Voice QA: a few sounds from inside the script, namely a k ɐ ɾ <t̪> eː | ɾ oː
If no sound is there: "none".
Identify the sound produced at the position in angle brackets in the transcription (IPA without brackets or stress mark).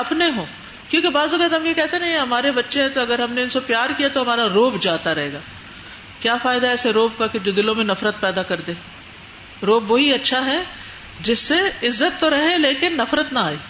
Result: d̪